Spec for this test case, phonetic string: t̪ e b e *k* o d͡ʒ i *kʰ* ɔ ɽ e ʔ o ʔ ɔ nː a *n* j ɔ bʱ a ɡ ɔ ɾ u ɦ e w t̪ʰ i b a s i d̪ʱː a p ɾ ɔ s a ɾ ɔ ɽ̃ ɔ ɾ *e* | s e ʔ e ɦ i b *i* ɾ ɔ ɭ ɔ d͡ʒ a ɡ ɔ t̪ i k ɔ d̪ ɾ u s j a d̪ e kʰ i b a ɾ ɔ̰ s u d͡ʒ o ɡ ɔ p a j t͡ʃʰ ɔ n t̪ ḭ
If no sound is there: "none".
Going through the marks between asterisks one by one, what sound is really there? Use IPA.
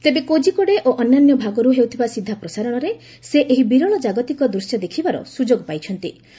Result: k, k, n, e, i

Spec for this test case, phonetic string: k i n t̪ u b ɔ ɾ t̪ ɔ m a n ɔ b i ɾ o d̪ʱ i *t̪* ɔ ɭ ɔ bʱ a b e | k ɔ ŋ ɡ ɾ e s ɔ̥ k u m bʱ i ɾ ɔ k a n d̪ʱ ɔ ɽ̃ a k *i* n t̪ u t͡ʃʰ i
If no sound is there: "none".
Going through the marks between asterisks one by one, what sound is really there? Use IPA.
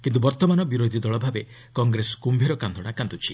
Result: d̪, a

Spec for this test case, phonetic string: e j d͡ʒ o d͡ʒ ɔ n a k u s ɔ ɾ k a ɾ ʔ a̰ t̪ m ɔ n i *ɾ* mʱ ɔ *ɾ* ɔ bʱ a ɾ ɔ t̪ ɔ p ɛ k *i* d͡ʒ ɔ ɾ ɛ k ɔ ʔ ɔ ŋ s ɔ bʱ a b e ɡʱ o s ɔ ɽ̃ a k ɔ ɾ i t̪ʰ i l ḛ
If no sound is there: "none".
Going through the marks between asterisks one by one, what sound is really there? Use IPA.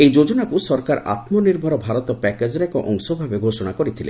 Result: ɾ, ɾ, e

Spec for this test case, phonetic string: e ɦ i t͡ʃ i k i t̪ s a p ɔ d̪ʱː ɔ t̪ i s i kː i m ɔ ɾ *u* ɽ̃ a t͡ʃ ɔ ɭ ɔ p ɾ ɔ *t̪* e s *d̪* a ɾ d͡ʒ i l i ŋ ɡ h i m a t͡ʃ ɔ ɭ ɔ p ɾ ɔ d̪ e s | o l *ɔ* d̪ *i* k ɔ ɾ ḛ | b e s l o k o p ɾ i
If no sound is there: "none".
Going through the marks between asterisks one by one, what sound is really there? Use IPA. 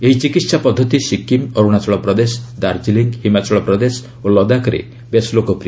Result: u, d̪, d̪, ɔ, a

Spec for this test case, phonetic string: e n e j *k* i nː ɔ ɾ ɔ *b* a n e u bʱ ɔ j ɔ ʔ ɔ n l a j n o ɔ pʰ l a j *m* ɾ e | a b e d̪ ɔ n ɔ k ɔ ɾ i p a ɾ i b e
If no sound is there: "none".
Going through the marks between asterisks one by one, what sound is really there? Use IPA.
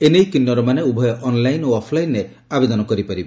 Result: k, m, n

